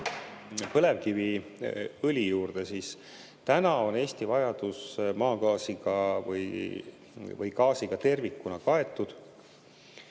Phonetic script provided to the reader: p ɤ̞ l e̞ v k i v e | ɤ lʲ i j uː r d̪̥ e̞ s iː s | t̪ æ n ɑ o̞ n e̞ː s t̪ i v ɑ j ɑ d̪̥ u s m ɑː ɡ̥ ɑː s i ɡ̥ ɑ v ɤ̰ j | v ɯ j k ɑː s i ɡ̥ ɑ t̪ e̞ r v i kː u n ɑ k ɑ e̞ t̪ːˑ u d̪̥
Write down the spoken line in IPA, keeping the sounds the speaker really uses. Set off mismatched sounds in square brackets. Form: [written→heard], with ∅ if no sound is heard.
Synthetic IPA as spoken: p ɤ̞ l e̞ v k i v [e→i] | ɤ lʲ i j uː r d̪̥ e̞ s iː s | t̪ æ n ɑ o̞ n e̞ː s t̪ i v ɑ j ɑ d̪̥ u s m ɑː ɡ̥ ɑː s i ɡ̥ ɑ v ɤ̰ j | v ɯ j k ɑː s i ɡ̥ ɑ t̪ e̞ r v i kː u n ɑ k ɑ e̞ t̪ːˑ u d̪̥